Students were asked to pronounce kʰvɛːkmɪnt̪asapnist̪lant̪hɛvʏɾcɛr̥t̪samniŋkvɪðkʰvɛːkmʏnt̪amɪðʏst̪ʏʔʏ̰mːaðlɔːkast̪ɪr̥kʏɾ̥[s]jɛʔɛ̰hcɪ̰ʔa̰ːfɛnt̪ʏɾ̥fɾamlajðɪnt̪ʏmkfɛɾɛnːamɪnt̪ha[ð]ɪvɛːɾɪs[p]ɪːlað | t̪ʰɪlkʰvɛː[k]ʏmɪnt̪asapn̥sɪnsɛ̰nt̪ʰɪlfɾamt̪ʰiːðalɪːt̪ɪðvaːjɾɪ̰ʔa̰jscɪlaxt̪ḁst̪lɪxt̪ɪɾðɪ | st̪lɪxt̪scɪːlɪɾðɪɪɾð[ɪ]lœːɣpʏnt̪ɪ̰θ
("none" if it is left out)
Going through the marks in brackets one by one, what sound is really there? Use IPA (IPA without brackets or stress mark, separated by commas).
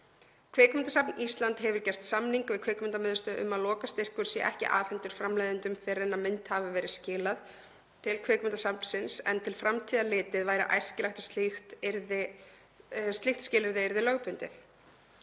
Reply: s, v, c, k, ɪ